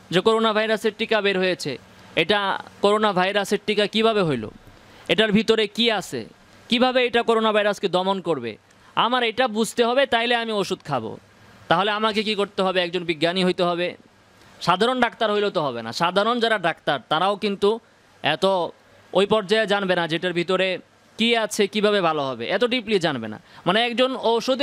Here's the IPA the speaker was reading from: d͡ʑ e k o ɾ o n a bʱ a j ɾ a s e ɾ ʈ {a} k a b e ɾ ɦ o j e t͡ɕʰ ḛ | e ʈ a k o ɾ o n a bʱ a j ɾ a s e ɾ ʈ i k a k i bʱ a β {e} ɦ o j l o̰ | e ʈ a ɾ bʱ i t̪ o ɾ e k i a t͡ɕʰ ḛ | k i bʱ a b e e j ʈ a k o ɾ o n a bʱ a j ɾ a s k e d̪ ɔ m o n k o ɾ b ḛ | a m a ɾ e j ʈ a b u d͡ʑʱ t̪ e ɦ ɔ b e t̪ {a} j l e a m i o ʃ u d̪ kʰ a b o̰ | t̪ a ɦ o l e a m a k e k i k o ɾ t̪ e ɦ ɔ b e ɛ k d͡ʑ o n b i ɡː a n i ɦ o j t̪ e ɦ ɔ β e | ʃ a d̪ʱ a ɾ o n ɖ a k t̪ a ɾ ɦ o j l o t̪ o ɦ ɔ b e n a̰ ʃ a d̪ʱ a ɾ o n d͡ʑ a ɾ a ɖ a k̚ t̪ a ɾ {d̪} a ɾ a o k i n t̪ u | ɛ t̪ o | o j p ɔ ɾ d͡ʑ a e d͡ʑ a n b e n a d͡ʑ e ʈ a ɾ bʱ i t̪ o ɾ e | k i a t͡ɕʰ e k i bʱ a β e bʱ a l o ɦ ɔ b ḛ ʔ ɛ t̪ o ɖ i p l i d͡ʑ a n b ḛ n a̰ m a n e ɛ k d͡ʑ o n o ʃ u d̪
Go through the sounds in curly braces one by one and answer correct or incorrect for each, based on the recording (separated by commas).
incorrect, correct, correct, incorrect